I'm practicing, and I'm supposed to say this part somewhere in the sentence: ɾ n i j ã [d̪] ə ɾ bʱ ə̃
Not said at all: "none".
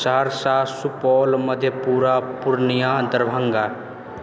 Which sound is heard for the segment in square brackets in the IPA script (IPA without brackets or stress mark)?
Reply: d̪